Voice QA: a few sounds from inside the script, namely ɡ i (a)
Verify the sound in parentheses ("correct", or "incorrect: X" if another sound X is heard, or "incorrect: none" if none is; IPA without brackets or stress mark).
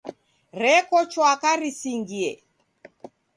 incorrect: ɛ